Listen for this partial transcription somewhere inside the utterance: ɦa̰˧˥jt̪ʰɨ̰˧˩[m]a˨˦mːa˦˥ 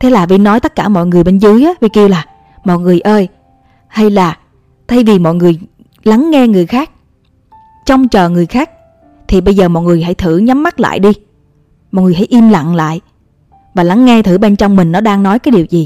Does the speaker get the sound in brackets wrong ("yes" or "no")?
yes